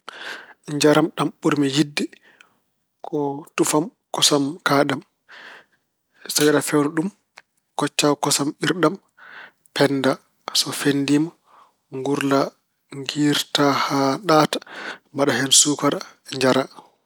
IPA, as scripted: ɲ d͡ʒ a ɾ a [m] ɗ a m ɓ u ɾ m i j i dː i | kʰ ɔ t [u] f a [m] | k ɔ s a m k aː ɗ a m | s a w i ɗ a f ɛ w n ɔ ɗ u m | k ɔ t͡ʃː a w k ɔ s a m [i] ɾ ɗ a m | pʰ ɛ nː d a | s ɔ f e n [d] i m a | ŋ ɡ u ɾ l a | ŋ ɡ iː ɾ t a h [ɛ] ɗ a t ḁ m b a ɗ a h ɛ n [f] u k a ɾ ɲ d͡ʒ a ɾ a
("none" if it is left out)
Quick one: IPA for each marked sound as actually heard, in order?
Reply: m, u, m, i, d, a, s

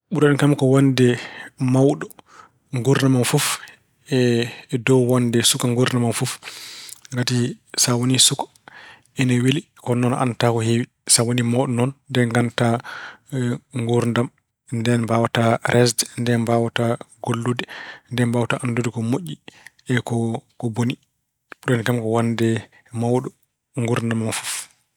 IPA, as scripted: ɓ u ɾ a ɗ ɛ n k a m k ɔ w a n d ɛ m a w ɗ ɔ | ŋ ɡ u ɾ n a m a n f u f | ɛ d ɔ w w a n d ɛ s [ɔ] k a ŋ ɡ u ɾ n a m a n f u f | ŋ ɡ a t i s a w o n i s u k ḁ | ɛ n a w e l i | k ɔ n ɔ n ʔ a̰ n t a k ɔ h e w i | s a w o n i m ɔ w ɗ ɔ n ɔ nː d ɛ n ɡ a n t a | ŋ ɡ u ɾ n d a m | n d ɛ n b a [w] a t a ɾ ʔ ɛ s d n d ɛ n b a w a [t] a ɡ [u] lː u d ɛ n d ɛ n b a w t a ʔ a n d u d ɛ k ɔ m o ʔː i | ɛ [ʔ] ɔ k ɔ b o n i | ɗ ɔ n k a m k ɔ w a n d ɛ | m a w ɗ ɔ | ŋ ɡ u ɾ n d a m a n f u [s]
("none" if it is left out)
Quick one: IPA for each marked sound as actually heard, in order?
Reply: u, w, t, o, k, f

